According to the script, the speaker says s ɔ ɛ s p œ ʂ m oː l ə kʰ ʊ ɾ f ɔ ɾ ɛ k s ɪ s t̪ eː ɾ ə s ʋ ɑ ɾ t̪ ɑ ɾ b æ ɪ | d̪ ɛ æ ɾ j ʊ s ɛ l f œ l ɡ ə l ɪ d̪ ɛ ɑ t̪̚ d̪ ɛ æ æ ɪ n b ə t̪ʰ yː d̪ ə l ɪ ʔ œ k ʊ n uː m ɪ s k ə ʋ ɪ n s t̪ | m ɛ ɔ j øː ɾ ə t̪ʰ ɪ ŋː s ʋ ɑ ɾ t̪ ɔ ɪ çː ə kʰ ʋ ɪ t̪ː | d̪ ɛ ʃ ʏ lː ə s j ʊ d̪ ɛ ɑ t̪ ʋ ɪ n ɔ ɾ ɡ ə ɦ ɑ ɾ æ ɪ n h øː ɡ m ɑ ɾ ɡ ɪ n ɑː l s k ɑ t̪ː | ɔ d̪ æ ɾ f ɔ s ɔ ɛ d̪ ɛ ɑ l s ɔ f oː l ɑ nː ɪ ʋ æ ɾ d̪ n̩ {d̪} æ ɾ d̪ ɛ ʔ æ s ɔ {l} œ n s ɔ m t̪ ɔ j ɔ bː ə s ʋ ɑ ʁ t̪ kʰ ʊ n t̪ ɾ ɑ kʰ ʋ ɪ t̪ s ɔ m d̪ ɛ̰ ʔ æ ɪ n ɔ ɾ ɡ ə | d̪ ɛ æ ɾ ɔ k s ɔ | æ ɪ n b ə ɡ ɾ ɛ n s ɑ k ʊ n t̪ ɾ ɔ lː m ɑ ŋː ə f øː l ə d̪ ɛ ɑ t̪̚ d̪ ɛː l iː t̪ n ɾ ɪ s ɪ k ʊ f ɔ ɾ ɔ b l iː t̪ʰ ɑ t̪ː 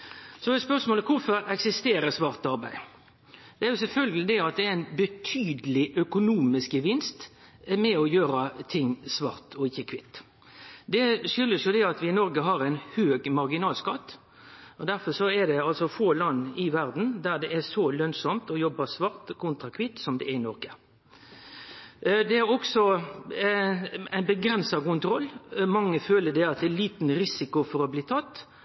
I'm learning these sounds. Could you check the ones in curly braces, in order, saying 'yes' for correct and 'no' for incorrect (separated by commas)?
yes, yes